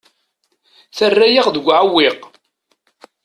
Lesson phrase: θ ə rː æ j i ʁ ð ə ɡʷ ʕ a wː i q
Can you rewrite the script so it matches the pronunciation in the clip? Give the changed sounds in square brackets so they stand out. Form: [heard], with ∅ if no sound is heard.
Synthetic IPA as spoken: θ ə rː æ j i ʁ ð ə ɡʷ ʕ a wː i q